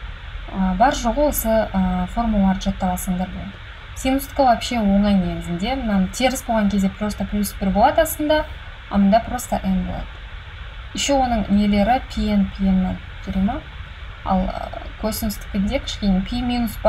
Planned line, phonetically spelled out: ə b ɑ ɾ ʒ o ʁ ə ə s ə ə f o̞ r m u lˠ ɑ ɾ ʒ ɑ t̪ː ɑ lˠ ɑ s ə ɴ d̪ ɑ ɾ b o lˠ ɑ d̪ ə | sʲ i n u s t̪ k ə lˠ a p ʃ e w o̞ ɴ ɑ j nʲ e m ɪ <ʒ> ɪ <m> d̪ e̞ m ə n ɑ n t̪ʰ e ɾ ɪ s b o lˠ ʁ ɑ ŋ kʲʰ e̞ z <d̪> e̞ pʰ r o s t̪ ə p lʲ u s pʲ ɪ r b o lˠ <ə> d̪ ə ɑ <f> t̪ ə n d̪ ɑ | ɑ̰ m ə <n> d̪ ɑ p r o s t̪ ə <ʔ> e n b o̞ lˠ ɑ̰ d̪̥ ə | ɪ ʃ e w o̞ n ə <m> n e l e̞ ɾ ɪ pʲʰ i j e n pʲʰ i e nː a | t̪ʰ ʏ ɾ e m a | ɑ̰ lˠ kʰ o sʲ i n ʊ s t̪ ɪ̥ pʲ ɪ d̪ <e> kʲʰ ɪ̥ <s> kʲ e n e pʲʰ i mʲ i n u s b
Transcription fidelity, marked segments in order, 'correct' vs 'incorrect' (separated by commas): incorrect, incorrect, correct, incorrect, incorrect, correct, correct, incorrect, correct, incorrect